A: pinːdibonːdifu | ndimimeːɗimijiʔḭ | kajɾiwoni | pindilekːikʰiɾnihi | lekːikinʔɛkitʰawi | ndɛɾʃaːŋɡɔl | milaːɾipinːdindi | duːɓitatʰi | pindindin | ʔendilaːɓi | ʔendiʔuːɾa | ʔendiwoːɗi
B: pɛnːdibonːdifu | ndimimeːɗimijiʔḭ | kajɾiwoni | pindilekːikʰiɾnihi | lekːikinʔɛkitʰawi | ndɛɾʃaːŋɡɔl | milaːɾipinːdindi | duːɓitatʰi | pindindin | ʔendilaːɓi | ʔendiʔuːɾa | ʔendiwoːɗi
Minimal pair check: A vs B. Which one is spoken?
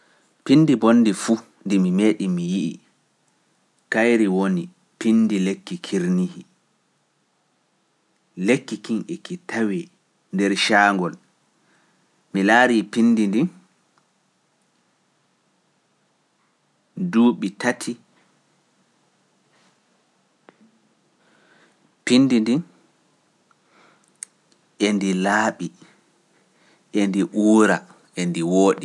A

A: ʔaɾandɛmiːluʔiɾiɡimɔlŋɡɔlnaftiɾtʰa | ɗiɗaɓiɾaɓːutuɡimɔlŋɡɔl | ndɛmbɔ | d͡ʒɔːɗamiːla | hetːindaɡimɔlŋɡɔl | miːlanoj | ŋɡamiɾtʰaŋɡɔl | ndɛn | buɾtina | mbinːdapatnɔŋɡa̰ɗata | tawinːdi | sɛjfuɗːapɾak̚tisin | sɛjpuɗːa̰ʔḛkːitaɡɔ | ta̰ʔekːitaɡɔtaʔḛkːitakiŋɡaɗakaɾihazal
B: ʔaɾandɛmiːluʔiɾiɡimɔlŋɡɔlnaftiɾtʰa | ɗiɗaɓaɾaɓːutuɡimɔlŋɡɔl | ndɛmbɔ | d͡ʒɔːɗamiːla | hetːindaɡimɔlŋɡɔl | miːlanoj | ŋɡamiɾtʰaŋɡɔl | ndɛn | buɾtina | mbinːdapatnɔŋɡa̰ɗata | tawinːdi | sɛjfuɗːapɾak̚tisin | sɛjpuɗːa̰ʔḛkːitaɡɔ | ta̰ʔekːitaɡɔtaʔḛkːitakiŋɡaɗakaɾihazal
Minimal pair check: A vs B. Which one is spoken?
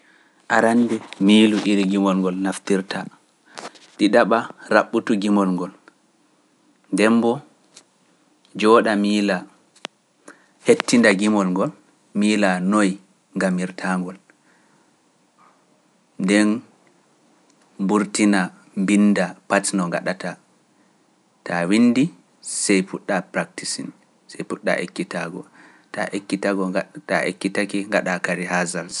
B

